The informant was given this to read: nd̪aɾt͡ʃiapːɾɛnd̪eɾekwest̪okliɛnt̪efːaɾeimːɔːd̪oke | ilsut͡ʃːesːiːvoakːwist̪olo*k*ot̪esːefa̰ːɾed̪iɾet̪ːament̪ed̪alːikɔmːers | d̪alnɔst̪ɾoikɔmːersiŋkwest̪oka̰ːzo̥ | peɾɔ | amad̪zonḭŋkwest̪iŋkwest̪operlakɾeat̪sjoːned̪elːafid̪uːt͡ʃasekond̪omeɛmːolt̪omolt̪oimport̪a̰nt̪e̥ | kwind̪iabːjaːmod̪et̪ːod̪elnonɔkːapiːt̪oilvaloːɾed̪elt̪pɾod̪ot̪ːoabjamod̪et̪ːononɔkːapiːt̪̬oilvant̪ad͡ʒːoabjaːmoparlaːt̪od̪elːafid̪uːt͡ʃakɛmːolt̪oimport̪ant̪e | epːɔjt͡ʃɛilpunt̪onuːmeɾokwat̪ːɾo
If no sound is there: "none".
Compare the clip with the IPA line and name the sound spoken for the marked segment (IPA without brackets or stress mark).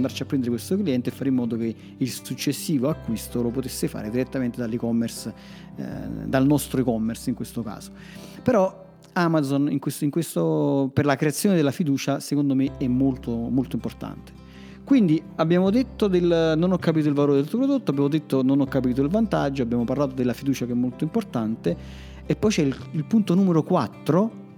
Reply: p